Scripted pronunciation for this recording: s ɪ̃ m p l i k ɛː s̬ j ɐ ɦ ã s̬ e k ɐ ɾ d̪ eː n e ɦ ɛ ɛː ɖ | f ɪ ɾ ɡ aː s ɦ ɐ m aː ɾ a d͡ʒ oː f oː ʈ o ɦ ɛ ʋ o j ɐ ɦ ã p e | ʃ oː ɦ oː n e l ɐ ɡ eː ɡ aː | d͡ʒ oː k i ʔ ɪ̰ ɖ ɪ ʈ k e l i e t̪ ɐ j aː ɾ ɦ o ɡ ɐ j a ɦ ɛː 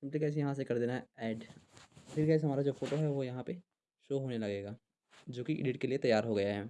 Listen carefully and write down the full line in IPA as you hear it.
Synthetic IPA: s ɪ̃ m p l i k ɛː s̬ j ɐ ɦ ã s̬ e k ɐ ɾ d̪ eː n a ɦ ɛ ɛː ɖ | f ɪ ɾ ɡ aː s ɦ ɐ m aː ɾ a d͡ʒ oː f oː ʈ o ɦ ɛ ʋ o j ɐ ɦ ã p e | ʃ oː ɦ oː n e l ɐ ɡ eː ɡ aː | d͡ʒ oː k i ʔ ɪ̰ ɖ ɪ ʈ k e l i e t̪ ɐ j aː ɾ ɦ o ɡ ɐ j a ɦ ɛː